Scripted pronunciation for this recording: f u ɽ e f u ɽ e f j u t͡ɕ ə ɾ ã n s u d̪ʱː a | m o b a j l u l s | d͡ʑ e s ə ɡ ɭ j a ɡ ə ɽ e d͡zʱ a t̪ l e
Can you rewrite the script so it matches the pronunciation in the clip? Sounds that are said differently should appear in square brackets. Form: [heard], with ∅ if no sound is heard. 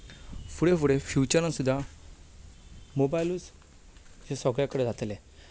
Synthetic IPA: f u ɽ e f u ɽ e f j u t͡ɕ ə ɾ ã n s u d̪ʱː a | m o b a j l u [∅] s | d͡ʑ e s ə ɡ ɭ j a [k] ə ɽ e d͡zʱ a t̪ l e